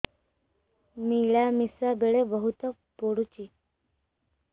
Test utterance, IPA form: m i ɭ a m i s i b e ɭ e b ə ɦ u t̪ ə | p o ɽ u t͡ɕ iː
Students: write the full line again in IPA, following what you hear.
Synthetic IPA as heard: m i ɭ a m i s a b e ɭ e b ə ɦ u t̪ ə | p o ɽ u t͡ɕ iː